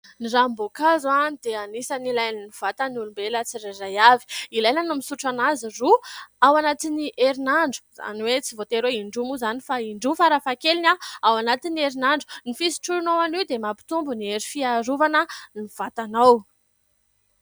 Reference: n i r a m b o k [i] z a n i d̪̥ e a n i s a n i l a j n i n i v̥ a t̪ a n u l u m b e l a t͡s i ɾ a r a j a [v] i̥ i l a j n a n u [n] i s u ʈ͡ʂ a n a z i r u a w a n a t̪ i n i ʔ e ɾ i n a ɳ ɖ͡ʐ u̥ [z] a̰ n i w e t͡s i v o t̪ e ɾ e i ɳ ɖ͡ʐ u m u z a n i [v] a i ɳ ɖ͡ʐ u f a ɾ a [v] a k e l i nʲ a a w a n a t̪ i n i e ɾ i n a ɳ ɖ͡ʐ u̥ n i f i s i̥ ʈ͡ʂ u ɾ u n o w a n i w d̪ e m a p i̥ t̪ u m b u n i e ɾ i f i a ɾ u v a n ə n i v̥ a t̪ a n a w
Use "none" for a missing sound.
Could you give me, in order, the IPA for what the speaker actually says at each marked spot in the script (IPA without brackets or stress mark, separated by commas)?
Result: a, v, m, z, f, f